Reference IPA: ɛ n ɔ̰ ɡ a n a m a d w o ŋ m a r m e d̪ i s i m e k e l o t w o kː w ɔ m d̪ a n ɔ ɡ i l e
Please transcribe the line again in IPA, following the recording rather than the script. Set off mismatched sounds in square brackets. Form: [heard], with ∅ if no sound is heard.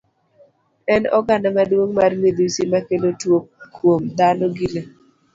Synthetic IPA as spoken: ɛ n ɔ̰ ɡ a n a m a d w o ŋ m a r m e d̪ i s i m [a] k e l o t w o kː w [o] m d̪ a n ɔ ɡ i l e